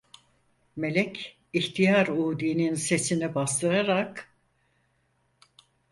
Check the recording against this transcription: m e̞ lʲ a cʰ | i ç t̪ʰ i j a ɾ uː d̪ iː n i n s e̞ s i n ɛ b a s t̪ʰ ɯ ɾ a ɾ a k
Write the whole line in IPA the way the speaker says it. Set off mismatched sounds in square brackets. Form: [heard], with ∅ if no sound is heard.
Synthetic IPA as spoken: m e̞ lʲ [ɛ] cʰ | i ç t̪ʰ i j a ɾ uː d̪ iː n i n s e̞ s i n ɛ b a s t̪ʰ ɯ ɾ a ɾ a k

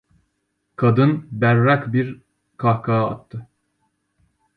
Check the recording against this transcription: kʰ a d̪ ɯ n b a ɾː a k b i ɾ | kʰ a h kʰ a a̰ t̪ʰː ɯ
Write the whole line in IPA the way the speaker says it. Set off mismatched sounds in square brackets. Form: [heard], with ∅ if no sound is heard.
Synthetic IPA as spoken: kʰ a d̪ ɯ n b [æ] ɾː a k b i ɾ | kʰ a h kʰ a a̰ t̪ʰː ɯ

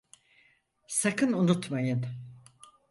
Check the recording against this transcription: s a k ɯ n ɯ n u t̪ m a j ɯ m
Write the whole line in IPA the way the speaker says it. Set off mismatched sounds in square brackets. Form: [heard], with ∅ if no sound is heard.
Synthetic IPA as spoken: s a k ɯ n [u] n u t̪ m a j ɯ [n]

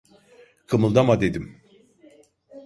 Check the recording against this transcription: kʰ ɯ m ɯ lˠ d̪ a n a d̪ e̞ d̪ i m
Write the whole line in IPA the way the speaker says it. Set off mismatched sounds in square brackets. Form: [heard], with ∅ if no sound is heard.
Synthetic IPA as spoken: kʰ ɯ m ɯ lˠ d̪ a [m] a d̪ e̞ d̪ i m

